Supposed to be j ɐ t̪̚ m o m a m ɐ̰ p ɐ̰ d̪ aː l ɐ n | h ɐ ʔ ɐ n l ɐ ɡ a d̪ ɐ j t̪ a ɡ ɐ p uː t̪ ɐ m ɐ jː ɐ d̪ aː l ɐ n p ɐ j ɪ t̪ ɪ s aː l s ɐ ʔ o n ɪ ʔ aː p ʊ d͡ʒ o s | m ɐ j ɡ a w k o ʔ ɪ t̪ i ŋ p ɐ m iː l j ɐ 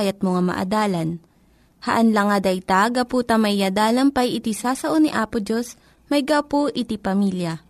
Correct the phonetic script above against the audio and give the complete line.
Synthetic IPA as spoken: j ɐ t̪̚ m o ŋ a m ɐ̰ ʔ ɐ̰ d̪ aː l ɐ n | h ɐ ʔ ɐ n l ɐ ŋ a d̪ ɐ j t̪ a ɡ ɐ p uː t̪ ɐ m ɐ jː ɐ d̪ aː l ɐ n p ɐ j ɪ t̪ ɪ s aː s ɐ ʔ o n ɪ ʔ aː p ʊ d͡ʒ o s | m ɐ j ɡ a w p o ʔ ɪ t̪ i p ɐ m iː l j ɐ